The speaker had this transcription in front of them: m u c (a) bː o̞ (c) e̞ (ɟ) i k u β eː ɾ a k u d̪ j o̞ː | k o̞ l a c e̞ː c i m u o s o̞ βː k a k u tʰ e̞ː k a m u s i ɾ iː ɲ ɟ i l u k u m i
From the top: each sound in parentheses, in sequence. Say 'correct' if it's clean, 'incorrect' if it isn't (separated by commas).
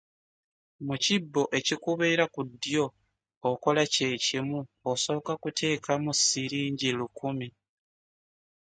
incorrect, incorrect, incorrect